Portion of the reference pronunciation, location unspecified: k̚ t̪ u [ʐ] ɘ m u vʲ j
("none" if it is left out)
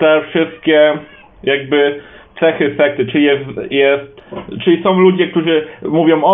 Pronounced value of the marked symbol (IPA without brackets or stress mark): ʐ